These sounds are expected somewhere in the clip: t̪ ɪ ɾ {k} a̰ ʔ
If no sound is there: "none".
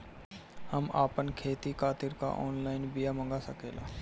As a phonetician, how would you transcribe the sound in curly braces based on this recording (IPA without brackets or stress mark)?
k